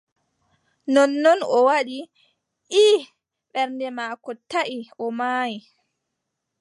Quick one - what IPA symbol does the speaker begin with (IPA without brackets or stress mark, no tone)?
n